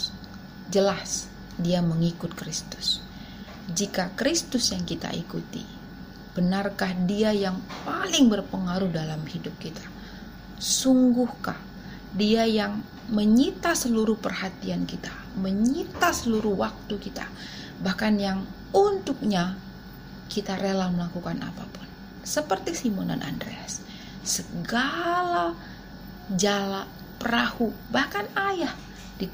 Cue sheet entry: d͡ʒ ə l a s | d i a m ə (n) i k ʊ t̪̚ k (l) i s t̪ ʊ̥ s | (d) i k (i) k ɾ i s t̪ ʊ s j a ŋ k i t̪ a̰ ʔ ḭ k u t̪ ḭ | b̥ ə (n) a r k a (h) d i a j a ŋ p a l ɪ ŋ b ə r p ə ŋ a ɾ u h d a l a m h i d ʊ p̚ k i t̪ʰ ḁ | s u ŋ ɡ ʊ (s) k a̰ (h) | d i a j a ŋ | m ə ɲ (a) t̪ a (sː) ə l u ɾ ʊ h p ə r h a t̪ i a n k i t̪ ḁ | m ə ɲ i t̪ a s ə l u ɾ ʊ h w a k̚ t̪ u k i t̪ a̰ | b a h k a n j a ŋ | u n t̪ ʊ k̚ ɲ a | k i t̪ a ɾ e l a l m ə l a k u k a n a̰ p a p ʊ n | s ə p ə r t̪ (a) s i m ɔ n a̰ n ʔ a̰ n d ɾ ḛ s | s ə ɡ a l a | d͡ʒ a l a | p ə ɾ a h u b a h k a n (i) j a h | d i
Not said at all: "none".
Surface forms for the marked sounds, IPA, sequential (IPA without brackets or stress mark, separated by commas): ŋ, ɾ, d͡ʒ, a, n, h, h, h, i, s, i, a